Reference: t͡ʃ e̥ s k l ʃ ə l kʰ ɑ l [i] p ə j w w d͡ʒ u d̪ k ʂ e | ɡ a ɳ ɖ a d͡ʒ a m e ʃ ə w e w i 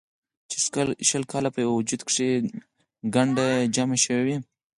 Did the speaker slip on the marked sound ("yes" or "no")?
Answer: yes